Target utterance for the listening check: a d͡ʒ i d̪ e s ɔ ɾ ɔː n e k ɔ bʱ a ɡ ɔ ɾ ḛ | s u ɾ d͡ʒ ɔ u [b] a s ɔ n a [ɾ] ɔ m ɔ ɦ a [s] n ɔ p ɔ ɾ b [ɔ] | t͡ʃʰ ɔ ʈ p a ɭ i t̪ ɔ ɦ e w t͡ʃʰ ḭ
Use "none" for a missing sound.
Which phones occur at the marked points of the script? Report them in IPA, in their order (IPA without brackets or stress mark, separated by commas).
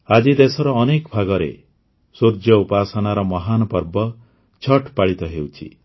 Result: p, ɾ, none, ɔ